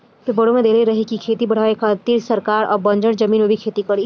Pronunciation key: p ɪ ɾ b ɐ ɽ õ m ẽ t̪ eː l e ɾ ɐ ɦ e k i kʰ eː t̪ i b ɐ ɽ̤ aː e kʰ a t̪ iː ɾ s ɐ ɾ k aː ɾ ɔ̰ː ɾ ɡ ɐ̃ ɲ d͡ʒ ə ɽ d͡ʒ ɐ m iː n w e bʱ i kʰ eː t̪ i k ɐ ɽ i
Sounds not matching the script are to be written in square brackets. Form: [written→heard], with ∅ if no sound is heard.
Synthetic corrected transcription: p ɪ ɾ b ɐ ɽ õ m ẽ [t̪→d̪] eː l e ɾ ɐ ɦ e k i kʰ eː t̪ i b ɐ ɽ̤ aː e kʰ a t̪ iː ɾ s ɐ ɾ k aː ɾ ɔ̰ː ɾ [ɡ→b] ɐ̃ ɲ d͡ʒ ə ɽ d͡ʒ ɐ m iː n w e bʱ i kʰ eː t̪ i k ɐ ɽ i